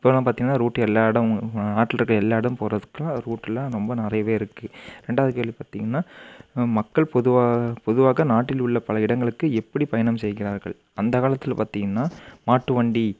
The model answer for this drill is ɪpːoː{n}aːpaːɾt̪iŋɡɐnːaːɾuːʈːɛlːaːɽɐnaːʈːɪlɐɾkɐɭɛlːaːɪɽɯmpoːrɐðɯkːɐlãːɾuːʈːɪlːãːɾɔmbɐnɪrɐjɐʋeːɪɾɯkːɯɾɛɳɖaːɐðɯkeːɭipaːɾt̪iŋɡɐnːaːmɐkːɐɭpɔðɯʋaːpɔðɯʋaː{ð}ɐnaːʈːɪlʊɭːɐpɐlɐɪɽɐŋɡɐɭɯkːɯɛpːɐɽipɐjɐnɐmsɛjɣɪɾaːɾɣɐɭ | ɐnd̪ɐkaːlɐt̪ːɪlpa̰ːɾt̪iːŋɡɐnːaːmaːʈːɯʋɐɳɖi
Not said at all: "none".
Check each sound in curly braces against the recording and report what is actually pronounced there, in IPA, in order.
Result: n, ɣ

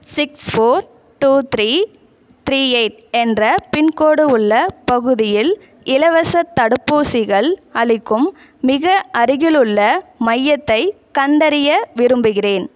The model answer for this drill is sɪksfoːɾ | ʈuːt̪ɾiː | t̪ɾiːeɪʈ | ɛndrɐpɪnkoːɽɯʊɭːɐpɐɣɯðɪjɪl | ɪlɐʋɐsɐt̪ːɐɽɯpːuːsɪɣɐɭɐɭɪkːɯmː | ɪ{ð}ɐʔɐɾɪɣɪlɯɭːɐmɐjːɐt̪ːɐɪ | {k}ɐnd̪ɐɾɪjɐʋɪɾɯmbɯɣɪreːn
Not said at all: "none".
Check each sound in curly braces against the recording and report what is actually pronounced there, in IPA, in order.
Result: ɣ, k

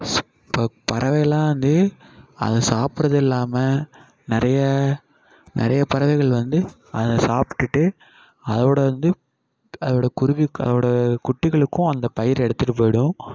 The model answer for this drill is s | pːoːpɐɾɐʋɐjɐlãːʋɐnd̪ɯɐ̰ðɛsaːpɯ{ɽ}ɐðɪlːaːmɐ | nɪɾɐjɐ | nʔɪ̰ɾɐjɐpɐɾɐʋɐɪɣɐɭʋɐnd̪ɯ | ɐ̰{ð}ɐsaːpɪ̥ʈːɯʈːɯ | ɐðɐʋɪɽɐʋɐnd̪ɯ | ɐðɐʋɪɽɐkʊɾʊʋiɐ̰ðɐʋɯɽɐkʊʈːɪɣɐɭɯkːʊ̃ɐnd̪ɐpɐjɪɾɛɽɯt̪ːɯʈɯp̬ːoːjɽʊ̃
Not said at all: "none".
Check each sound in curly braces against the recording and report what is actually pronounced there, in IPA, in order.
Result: ɾ, ð

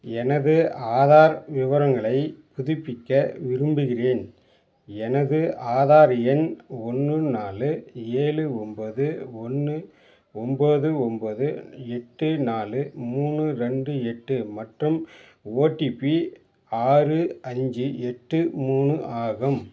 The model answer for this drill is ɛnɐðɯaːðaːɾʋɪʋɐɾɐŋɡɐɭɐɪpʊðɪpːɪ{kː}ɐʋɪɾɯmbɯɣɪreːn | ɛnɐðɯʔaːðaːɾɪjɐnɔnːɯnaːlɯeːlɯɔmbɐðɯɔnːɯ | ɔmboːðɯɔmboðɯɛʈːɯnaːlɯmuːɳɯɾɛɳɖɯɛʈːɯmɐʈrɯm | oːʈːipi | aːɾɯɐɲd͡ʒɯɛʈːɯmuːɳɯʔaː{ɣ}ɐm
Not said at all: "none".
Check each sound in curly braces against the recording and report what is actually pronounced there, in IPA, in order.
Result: kː, ɣ

